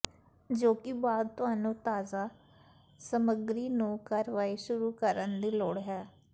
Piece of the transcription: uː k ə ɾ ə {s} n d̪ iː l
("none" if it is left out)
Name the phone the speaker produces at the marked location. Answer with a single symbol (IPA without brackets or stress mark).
none